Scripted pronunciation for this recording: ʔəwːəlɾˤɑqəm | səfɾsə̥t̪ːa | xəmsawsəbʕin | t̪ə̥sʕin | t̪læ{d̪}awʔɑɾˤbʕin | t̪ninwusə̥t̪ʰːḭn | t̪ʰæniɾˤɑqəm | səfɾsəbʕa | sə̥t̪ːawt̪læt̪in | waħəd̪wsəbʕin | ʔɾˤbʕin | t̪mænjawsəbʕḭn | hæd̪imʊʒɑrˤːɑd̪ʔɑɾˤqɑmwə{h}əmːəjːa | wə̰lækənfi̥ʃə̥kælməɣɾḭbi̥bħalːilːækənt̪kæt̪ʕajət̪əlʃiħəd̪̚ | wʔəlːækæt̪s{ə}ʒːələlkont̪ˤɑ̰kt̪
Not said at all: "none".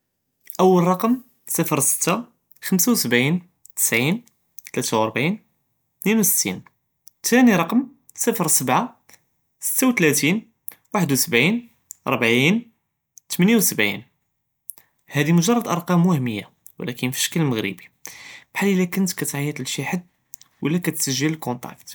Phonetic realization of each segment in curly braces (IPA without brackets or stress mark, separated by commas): t̪, h, ə